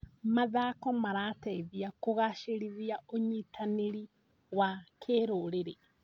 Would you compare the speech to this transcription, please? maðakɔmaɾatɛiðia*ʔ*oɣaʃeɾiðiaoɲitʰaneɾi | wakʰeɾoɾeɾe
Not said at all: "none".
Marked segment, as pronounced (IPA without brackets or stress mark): k